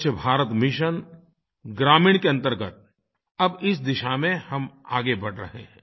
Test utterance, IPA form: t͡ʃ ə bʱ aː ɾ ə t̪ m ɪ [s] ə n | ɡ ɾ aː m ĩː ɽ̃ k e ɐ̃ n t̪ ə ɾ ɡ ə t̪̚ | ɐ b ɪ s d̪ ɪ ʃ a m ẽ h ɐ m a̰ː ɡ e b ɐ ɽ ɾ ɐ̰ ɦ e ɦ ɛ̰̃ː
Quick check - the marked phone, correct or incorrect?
incorrect